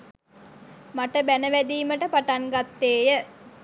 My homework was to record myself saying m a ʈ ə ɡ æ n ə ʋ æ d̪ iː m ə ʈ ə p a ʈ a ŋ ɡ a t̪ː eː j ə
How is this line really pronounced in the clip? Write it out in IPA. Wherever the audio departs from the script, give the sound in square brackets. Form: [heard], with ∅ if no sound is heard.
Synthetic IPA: m a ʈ ə [b] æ n ə ʋ æ d̪ iː m ə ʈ ə p a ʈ a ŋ ɡ a t̪ː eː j ə